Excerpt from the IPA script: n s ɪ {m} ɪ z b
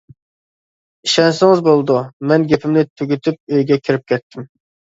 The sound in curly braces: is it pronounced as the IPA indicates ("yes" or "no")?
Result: no